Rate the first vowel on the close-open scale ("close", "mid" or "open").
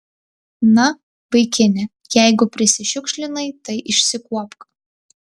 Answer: open